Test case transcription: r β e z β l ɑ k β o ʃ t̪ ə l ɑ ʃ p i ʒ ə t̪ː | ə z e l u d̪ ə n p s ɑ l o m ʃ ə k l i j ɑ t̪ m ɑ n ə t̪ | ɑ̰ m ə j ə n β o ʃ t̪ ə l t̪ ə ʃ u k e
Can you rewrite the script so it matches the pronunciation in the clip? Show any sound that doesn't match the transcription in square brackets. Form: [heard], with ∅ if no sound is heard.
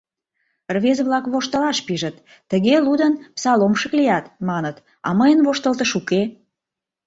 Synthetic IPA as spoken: r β e z β l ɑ k β o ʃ t̪ ə l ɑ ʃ p i ʒ ə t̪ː | ə [ɣ] e l u d̪ ə n p s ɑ l o m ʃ ə k l i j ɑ t̪ m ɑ n ə t̪ | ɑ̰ m ə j ə n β o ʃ t̪ ə l t̪ ə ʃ u k e